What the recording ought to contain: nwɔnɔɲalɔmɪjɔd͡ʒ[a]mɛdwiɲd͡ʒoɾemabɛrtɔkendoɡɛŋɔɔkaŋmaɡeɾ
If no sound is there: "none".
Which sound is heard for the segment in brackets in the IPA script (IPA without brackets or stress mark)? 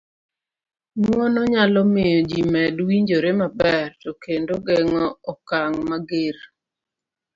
i